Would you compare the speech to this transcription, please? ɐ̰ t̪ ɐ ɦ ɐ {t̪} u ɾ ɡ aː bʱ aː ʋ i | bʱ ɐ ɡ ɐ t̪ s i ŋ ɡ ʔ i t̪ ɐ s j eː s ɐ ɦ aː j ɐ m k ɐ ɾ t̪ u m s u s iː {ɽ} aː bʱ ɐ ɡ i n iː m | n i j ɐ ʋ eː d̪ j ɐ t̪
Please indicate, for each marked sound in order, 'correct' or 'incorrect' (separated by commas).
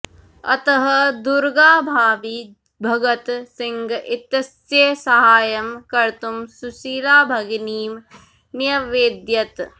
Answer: incorrect, incorrect